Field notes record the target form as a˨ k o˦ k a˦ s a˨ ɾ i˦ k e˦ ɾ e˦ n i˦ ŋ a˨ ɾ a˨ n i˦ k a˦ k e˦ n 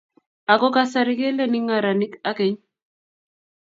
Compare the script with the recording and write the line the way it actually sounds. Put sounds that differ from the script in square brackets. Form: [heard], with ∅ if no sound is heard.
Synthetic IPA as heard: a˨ k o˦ k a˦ s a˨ ɾ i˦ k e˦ [l] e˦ n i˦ ŋ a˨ ɾ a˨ n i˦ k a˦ k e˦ [ɲ]